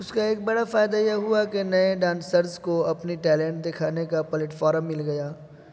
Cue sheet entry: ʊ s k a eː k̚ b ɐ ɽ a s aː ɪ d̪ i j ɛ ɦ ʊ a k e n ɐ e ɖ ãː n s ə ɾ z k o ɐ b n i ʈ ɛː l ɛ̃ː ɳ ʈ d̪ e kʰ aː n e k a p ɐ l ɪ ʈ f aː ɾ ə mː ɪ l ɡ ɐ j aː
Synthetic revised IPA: ʊ s k a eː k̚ b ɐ ɽ a f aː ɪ d̪ a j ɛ ɦ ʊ a k e n ɐ e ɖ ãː n s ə ɾ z k o ɐ p n i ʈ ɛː l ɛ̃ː ɳ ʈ d̪ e kʰ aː n e k a p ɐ l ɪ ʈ f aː ɾ ə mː ɪ l ɡ ɐ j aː